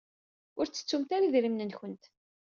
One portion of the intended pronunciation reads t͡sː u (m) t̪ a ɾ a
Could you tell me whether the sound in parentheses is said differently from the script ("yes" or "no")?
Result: no